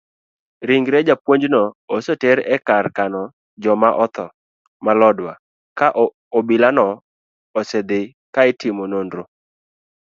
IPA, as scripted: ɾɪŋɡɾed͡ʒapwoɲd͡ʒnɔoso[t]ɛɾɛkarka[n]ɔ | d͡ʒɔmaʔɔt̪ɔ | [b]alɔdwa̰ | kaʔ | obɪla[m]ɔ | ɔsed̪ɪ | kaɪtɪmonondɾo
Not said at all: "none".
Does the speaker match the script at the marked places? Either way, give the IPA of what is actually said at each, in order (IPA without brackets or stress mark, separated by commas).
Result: t, n, m, n